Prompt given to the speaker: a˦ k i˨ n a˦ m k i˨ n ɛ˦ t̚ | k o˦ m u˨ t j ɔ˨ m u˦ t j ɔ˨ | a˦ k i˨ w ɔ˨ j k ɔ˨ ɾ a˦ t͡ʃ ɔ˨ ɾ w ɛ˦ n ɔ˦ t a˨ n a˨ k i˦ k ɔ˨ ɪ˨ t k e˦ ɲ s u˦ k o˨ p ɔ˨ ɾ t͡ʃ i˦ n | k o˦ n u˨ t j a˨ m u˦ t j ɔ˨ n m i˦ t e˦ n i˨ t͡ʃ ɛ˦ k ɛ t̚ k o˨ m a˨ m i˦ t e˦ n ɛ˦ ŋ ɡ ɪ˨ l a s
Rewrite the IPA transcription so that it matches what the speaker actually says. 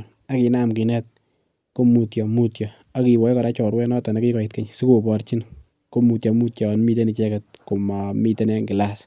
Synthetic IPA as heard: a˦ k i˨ n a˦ m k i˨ n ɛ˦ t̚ | k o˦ m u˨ t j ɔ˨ m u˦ t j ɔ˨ | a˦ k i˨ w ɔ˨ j k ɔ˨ ɾ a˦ t͡ʃ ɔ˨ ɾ w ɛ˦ n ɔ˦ t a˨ n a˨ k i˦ k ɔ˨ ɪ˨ t k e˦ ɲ s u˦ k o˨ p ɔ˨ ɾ t͡ʃ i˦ n | k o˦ m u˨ t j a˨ m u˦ t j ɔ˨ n m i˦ t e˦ n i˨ t͡ʃ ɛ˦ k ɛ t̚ k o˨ m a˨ m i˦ t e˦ n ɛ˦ ŋ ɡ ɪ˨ l a s